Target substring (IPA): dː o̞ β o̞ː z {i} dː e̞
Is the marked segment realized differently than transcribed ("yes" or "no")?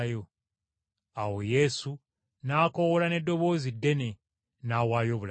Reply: no